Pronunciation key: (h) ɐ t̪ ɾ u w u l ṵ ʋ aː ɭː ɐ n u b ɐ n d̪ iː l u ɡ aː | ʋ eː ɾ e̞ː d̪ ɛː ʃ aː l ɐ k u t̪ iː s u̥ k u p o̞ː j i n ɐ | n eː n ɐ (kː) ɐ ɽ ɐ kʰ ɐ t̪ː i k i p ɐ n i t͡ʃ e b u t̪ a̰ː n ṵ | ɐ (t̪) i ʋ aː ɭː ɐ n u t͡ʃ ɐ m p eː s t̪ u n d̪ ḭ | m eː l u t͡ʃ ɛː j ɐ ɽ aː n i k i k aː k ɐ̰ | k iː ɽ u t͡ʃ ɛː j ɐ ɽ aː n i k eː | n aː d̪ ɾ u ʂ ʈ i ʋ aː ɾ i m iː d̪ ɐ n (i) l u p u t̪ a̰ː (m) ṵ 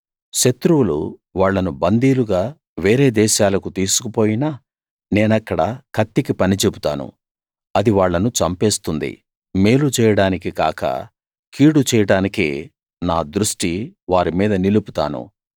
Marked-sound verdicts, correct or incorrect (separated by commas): incorrect, correct, incorrect, correct, incorrect